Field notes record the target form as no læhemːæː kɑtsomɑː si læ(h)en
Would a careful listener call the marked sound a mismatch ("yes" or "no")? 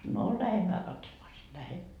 no